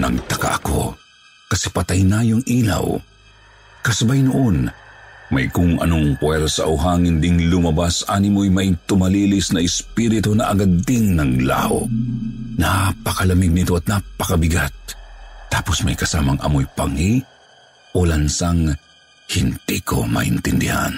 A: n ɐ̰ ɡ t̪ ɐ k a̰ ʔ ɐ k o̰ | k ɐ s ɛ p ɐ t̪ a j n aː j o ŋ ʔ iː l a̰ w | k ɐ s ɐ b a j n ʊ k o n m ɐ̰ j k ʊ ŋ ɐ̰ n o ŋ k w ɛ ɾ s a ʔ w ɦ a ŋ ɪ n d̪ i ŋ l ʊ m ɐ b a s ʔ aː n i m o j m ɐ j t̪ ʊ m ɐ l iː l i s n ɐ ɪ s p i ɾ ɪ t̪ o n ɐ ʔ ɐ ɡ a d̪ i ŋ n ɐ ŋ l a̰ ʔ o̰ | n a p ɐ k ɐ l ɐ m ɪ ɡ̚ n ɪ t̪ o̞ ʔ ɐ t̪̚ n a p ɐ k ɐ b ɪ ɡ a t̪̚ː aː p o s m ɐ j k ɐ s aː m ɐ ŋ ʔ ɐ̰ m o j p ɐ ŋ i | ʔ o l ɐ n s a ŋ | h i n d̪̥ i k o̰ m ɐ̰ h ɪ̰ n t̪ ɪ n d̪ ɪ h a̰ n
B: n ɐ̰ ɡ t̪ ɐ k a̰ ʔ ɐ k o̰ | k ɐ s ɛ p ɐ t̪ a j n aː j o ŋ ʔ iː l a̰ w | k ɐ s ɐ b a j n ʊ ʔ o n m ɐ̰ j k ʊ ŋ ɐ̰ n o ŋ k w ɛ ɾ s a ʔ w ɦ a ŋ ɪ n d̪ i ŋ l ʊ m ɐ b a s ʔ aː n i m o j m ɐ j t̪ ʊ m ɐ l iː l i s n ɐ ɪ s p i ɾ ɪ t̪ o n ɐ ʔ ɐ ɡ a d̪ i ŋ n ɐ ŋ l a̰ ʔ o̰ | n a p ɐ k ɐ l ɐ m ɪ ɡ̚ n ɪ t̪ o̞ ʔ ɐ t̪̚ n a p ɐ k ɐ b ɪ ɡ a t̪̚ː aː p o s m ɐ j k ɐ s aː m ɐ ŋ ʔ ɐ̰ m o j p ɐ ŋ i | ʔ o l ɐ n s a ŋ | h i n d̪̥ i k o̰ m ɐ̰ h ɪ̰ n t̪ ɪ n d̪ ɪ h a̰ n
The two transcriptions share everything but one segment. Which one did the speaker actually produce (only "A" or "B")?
B